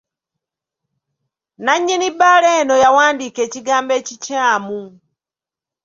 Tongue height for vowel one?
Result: low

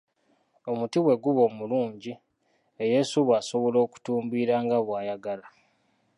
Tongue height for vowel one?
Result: mid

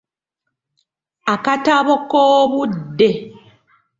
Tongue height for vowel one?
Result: low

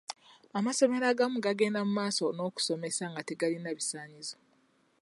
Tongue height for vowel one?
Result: low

